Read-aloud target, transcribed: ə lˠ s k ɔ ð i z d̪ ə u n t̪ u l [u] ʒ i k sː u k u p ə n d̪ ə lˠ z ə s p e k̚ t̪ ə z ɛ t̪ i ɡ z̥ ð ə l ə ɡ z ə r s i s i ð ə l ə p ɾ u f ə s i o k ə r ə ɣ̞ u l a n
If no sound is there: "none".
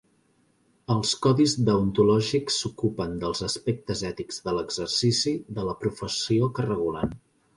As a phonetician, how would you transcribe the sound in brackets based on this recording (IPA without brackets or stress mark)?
ɔ